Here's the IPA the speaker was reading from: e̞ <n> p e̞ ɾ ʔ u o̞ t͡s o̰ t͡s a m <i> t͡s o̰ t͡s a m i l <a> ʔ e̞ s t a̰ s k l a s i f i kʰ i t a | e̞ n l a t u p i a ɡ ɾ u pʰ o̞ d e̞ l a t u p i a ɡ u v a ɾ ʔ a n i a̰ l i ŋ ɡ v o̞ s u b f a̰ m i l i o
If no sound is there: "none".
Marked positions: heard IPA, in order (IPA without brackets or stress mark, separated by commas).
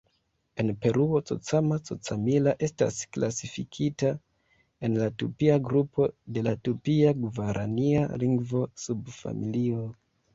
n, a, a